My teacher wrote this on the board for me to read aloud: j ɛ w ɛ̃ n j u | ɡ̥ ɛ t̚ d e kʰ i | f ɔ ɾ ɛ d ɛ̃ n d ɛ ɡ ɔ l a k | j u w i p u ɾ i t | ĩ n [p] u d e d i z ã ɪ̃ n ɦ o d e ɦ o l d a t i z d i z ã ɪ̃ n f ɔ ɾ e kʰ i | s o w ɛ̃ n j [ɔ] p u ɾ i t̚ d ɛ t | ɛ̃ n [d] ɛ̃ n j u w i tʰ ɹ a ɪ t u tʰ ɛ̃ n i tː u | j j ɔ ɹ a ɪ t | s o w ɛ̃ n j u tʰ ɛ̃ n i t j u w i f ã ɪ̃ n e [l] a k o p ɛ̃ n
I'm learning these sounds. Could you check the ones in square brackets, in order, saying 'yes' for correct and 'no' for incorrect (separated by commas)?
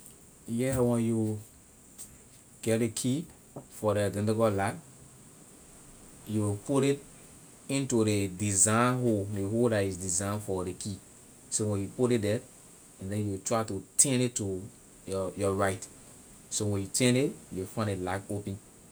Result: no, no, yes, yes